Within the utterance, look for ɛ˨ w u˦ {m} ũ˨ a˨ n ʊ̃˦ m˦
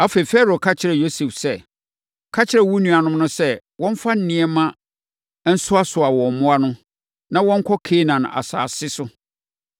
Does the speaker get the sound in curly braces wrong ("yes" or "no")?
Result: yes